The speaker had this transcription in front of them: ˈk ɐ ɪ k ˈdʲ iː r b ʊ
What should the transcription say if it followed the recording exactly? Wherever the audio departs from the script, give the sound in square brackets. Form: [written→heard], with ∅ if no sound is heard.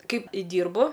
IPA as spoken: ˈk ɐ ɪ [k→p] ˈdʲ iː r b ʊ